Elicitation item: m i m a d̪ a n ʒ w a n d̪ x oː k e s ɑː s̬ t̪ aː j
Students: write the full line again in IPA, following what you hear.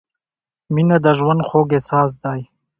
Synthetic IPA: m i n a d̪ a ʒ w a n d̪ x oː ɡ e s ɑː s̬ d̪ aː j